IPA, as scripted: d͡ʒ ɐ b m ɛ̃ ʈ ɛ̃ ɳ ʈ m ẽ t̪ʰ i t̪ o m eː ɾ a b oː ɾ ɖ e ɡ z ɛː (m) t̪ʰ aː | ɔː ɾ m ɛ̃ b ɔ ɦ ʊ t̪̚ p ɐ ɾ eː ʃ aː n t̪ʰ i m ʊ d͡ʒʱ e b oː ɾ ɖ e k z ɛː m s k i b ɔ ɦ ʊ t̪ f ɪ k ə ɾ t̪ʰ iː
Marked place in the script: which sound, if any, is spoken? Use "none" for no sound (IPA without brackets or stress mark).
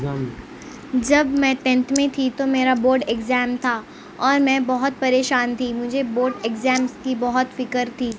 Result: m